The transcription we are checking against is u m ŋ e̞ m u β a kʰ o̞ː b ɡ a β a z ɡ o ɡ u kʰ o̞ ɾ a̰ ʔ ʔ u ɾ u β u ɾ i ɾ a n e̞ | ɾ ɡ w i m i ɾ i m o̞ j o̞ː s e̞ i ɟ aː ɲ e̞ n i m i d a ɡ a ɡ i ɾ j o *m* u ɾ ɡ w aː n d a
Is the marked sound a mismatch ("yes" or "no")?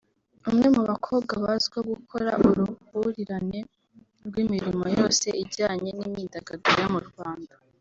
no